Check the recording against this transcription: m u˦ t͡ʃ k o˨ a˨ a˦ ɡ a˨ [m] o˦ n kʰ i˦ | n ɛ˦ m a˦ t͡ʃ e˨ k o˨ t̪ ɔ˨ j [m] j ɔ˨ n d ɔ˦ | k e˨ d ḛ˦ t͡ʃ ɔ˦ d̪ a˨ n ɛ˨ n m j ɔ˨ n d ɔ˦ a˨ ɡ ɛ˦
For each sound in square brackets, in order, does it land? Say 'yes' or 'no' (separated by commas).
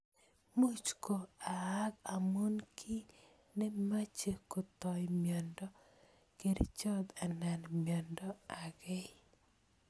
yes, yes